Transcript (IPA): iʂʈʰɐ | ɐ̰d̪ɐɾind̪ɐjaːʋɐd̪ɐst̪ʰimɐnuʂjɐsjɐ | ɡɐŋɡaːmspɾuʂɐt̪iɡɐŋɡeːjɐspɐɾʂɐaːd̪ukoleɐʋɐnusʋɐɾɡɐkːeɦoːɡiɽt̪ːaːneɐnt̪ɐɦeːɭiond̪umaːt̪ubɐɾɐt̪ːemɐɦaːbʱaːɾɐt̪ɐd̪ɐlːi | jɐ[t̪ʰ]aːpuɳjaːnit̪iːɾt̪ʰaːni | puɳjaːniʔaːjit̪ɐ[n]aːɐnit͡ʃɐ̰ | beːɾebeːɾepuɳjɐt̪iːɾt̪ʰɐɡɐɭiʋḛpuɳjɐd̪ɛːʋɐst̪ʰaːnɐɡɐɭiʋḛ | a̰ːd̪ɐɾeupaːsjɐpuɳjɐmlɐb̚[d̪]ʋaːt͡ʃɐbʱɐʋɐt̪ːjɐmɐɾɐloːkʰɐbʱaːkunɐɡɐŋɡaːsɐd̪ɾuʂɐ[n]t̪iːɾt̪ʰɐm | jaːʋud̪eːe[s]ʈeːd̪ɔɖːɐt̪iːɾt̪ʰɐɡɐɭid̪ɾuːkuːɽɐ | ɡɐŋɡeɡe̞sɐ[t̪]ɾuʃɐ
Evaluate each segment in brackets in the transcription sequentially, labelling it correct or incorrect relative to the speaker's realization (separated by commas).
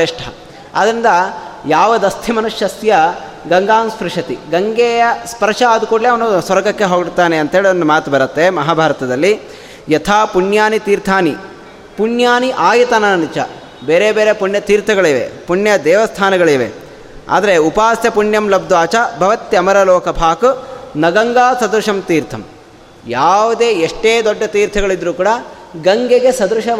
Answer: correct, correct, correct, incorrect, incorrect, incorrect